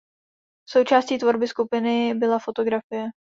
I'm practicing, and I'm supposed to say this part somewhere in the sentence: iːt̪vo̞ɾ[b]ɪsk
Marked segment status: correct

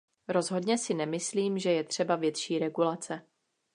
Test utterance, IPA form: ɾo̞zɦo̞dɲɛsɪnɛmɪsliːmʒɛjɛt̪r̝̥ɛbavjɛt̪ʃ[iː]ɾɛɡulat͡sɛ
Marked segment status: correct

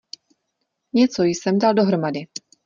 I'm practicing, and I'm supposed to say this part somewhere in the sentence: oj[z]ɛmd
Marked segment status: incorrect: s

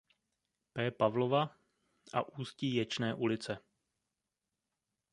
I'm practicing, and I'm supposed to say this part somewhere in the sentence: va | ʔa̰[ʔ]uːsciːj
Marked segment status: correct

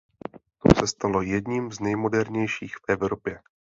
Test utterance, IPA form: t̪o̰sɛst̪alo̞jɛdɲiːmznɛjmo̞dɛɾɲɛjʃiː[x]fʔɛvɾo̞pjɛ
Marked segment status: correct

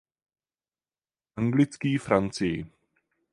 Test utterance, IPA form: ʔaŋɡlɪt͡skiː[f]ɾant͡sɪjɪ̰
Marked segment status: correct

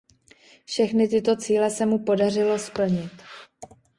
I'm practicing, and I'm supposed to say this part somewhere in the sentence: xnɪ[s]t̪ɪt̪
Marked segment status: incorrect: none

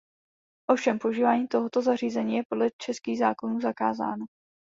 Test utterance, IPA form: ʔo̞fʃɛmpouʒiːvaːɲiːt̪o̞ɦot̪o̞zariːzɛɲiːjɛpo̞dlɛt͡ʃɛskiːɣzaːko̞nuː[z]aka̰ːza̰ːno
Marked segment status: correct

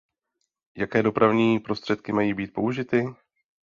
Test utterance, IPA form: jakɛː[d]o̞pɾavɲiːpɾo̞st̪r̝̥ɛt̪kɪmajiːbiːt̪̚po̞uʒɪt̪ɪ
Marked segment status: correct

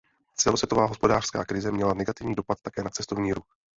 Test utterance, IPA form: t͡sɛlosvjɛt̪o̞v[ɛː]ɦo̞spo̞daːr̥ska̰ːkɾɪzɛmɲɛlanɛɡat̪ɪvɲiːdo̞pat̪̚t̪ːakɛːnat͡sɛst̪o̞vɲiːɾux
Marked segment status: incorrect: aː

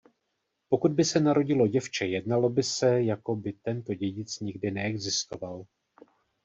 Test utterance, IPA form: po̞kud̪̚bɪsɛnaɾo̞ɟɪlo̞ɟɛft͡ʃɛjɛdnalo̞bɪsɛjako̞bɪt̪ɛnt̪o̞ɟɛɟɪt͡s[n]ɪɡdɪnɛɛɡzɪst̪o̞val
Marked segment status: incorrect: ɲ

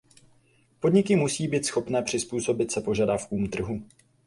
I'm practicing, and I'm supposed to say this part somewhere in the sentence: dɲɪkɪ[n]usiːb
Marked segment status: incorrect: m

